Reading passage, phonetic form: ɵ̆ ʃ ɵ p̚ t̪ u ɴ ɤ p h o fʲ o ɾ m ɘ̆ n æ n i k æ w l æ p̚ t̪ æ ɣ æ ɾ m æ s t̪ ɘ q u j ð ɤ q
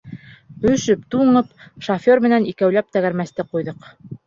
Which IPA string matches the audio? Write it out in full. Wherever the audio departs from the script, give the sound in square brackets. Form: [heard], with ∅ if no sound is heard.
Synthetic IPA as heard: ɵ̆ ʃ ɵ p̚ t̪ u ɴ ɤ p [ʃ] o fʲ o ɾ m ɘ̆ n æ n i k æ w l æ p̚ t̪ æ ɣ æ ɾ m æ s t̪ ɘ q u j ð ɤ q